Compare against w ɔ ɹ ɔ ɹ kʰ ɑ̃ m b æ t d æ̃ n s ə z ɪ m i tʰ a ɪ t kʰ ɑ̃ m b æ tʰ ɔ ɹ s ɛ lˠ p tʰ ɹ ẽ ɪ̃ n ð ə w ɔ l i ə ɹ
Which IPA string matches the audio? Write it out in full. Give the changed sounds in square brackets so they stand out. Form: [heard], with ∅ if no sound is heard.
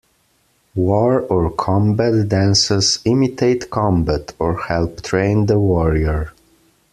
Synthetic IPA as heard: w ɔ ɹ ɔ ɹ kʰ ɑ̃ m b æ t d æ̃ n s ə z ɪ m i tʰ [e] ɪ t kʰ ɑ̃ m b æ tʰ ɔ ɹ [h] ɛ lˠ p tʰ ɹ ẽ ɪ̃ n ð ə w ɔ [ɹ] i ə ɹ